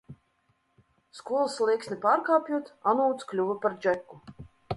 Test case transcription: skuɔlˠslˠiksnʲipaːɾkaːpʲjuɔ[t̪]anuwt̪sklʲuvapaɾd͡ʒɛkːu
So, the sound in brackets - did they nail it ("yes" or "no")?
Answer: yes